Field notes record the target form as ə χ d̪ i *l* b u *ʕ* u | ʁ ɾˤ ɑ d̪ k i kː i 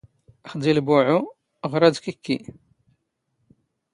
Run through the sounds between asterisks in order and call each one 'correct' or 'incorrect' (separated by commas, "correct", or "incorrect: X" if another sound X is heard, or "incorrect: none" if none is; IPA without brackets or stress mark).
correct, correct